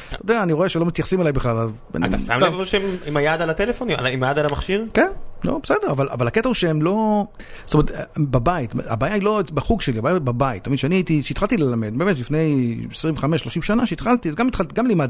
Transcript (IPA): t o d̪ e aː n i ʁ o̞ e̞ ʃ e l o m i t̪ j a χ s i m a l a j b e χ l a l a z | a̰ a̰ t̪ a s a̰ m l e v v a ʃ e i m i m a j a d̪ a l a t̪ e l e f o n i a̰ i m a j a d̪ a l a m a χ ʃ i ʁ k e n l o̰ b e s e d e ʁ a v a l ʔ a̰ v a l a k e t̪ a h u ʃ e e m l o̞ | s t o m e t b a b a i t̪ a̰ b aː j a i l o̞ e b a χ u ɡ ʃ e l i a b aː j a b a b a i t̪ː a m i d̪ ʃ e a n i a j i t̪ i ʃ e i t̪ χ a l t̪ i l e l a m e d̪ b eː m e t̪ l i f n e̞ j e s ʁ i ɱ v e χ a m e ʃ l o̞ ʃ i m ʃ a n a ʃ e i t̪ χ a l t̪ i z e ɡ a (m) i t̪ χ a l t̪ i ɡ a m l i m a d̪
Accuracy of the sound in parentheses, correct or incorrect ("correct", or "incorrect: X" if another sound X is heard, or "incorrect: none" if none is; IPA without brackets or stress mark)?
correct